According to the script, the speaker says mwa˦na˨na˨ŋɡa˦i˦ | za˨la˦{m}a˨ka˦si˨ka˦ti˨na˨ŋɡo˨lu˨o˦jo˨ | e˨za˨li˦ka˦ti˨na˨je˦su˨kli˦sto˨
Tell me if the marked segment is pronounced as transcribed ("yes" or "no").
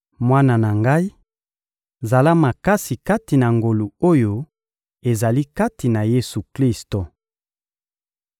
yes